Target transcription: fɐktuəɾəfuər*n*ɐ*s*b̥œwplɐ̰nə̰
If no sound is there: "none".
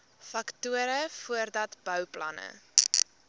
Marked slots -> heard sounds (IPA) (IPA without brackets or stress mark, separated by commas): d, t